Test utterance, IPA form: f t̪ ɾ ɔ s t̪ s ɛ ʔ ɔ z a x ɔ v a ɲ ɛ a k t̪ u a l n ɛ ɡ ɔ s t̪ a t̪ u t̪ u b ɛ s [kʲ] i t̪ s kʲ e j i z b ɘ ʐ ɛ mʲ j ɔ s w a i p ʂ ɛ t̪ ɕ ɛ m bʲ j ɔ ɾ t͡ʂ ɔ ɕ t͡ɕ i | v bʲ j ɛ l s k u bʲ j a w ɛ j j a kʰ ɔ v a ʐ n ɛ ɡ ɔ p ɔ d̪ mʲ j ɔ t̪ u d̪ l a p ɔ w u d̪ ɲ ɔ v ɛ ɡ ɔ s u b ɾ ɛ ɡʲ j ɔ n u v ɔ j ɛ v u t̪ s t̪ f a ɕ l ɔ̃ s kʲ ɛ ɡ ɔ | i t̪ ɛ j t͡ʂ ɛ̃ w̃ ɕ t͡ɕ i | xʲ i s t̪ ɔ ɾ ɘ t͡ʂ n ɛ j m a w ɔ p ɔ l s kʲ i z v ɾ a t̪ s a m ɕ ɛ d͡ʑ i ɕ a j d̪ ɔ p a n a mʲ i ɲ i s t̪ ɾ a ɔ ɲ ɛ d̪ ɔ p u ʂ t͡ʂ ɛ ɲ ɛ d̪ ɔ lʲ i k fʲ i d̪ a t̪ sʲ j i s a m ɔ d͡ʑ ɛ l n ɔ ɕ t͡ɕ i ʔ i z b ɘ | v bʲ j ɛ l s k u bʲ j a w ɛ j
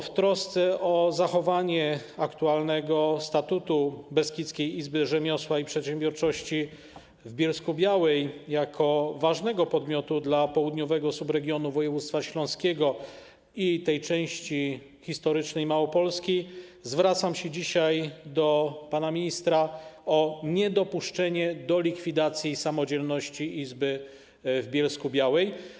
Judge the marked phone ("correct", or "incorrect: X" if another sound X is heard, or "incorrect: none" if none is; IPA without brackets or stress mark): correct